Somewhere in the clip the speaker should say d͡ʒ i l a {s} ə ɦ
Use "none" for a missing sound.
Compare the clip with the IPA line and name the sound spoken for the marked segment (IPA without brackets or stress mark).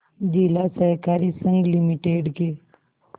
s